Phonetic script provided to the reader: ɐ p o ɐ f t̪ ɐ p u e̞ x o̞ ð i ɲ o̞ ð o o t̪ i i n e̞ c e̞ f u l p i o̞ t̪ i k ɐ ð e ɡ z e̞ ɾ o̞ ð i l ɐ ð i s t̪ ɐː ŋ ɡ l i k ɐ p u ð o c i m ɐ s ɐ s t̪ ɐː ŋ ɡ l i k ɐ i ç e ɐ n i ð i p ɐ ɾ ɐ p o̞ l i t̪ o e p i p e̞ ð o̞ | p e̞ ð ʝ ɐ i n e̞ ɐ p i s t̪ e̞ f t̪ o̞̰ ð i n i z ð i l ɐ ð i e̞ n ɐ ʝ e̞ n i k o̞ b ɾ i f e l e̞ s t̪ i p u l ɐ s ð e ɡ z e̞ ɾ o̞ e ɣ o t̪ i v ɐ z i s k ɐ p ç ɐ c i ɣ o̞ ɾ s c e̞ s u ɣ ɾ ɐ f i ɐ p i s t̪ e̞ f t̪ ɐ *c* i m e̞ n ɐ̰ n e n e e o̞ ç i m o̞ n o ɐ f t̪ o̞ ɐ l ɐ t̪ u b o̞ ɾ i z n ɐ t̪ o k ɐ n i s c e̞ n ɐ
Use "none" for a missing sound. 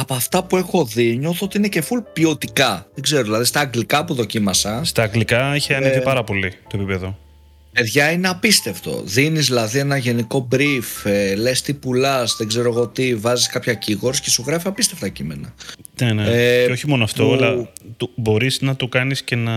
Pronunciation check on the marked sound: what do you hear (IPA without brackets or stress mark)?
c